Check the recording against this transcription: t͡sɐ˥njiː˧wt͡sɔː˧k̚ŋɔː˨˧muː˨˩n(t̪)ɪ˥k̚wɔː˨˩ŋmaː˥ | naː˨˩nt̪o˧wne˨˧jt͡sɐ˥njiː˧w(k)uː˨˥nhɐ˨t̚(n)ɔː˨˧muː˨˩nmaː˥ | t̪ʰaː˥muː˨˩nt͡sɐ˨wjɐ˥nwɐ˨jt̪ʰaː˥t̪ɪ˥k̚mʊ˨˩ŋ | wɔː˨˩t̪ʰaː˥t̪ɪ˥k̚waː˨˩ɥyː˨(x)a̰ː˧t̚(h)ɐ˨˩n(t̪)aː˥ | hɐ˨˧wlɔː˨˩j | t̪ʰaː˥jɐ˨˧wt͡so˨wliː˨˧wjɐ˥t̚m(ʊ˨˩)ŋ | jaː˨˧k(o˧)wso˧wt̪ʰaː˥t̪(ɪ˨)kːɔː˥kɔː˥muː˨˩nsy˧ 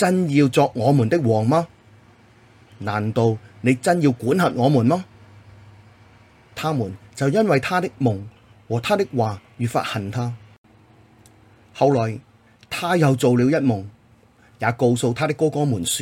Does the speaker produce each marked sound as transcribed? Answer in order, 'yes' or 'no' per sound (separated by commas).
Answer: yes, yes, no, no, yes, no, yes, yes, no